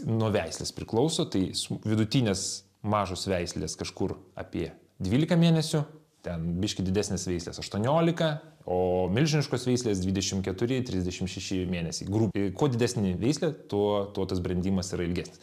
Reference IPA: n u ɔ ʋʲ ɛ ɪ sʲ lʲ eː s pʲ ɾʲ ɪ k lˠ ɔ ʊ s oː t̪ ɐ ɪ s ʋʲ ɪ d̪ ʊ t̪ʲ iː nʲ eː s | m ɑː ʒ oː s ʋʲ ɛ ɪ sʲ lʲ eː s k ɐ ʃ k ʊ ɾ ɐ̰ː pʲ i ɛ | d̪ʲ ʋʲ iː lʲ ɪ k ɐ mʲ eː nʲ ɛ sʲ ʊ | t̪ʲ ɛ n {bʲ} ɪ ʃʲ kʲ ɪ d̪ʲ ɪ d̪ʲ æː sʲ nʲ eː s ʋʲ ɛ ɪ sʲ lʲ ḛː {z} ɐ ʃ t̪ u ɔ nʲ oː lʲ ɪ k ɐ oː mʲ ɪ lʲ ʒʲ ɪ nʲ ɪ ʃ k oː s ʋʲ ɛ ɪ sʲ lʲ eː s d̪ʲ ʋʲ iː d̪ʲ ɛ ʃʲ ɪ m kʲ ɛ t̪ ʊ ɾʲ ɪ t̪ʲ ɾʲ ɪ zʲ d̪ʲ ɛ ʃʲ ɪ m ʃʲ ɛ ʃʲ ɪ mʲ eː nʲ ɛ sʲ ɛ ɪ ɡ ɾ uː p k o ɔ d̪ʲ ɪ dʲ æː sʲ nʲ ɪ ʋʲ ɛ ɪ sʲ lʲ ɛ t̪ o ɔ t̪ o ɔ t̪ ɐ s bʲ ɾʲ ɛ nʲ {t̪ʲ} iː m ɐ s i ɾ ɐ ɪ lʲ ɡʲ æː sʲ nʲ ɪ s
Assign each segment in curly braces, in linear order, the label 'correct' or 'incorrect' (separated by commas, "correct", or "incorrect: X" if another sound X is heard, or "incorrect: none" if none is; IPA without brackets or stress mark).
correct, incorrect: s, incorrect: d̪ʲ